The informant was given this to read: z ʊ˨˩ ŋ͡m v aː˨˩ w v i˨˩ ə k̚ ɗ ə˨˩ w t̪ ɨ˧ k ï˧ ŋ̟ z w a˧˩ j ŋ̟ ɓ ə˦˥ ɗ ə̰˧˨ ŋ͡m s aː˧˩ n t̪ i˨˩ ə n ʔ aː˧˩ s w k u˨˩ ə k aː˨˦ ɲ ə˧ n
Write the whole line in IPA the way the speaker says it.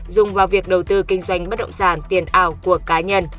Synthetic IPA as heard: z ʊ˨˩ ŋ͡m v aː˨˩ w v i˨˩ ə k̚ ɗ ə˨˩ w t̪ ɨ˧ k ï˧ ŋ̟ z w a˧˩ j ŋ̟ ɓ ə˦˥ ɗ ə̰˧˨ ŋ͡m s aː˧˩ n t̪ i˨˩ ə n ʔ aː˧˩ w k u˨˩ ə k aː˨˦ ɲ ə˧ n